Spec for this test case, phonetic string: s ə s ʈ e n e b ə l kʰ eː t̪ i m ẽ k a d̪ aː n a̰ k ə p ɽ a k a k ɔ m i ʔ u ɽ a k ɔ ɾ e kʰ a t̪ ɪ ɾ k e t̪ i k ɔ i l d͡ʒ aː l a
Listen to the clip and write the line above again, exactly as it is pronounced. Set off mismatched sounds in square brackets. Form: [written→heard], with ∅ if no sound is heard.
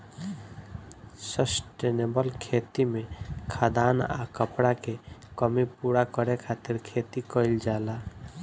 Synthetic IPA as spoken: s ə s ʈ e n e b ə l kʰ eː t̪ i m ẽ [k→kʰ] a d̪ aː n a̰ k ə p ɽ a k [a→e] k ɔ m i [ʔ→p] u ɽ a k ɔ ɾ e kʰ a t̪ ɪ ɾ [k→kʰ] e t̪ i k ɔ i l d͡ʒ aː l a